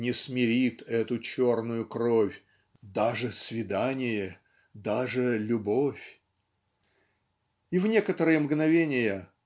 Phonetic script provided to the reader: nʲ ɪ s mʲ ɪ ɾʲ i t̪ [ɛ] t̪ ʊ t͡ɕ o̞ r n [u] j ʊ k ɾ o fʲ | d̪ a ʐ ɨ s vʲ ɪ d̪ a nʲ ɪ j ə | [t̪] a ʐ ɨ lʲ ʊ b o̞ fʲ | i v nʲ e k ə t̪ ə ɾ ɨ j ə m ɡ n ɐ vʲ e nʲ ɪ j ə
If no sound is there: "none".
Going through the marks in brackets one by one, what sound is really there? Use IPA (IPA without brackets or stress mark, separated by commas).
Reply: ɛ, ʊ, d̪